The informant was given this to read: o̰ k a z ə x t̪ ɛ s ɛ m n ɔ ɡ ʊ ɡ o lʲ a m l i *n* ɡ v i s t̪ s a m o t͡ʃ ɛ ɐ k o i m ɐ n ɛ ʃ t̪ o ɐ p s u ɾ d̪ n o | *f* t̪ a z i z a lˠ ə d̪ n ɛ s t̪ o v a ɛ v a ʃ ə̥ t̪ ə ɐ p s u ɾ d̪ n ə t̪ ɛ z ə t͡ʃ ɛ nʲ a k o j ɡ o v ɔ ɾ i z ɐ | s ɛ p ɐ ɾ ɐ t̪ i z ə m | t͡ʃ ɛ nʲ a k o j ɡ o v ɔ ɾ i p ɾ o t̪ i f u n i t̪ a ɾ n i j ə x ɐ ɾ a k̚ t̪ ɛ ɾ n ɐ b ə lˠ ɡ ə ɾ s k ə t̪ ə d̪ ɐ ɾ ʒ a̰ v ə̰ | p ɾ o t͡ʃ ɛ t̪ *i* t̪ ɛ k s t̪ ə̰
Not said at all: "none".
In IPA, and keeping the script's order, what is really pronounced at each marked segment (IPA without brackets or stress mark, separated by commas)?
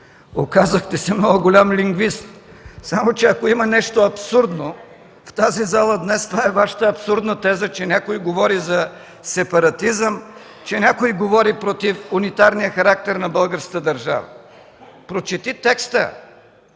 ŋ, f, i